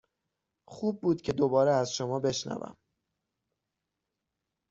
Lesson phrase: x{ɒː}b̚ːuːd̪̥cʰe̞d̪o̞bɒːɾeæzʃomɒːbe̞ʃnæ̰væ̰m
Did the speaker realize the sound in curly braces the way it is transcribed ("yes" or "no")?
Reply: no